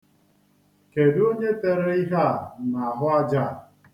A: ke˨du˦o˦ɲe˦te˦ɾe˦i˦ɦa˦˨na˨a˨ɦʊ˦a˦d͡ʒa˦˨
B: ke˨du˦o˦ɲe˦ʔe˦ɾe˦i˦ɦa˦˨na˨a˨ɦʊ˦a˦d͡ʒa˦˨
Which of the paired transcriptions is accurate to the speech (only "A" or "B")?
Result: A